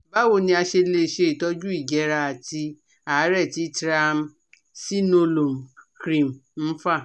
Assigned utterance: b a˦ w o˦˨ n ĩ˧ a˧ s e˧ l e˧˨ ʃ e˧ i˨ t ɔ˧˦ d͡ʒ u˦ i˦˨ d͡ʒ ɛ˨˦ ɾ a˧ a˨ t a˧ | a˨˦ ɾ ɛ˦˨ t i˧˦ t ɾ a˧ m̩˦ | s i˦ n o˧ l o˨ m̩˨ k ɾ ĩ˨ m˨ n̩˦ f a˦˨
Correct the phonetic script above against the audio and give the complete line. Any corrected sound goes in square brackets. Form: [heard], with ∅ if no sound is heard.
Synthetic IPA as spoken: b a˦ w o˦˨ n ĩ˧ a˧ [ʃ] e˧ l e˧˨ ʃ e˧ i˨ t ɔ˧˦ d͡ʒ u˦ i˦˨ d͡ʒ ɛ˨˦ ɾ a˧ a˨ t [i˧] | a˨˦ ɾ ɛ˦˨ t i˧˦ t ɾ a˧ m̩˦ | s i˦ n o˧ l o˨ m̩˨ k ɾ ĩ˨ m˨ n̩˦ f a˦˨